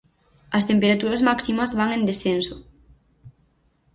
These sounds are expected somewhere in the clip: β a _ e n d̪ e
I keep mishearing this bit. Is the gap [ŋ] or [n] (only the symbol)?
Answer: ŋ